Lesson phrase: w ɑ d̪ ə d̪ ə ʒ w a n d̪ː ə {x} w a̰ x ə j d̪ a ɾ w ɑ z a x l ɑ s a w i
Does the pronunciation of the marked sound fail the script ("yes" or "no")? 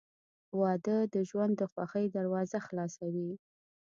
no